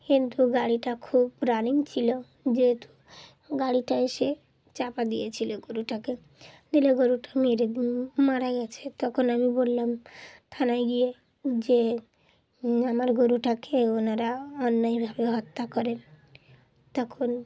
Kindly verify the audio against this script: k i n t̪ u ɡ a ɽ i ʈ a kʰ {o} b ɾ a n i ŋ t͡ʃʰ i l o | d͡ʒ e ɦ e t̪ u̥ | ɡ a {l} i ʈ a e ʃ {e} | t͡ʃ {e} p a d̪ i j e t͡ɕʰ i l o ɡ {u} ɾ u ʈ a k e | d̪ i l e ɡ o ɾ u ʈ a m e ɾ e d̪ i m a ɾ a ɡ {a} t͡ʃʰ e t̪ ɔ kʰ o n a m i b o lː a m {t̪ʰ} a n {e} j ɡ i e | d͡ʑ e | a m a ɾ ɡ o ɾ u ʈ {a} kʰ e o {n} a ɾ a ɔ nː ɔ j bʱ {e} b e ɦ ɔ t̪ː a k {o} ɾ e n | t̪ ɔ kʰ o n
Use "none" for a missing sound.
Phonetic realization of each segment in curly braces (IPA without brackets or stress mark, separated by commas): u, ɽ, e, a, o, ɛ, t̪ʰ, a, a, n, a, ɔ